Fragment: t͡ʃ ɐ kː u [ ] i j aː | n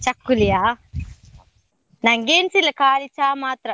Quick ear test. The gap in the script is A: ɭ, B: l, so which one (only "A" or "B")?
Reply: B